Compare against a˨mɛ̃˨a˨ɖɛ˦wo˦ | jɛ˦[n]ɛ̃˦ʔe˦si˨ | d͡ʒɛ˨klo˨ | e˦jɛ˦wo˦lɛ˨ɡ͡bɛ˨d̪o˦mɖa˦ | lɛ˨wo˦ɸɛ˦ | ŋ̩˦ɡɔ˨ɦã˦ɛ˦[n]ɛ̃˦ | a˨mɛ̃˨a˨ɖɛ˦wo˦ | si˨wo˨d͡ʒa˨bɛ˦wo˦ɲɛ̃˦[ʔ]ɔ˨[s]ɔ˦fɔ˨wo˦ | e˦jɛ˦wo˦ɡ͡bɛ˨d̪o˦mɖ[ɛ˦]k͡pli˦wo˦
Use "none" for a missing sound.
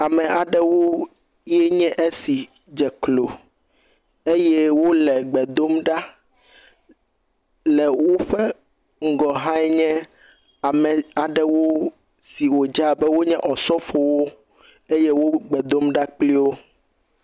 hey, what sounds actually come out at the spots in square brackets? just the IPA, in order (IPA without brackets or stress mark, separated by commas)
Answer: ɲ, ɲ, ʔ, s, a˦